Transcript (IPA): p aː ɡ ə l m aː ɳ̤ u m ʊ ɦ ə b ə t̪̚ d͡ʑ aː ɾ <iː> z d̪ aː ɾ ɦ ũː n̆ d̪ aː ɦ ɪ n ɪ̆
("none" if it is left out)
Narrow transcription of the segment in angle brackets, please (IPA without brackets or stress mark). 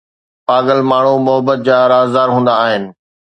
aː